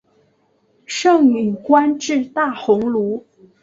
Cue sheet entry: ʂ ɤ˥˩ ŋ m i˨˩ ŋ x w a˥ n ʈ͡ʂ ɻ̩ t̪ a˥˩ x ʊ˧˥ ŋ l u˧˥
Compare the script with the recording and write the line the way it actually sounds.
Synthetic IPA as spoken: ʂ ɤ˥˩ ŋ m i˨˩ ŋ k w a˥ n ʈ͡ʂ ɻ̩ t̪ a˥˩ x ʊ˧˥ ŋ l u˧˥